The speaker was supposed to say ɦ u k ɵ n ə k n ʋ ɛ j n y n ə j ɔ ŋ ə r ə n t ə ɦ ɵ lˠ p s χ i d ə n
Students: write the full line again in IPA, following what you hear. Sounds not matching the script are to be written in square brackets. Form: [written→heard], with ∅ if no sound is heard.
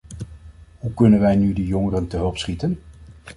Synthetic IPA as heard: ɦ u k ɵ n ə [k→∅] n ʋ ɛ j n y [n→d] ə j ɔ ŋ ə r ə n t ə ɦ ɵ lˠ p s χ i [d→t] ə n